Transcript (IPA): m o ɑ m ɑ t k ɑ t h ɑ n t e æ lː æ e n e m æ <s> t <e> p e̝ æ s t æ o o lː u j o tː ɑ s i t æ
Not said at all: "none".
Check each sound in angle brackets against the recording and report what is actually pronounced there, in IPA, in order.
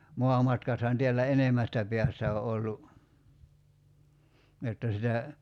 s, æ

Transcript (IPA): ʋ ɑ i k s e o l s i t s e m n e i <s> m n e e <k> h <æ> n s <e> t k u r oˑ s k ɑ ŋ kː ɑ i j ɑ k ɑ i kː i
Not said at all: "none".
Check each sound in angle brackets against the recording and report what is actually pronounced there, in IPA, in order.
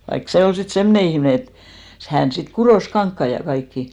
h, t, æ, i

